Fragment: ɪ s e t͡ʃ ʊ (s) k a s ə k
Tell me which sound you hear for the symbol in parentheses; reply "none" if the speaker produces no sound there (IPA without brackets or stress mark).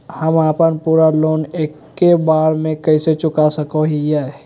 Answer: none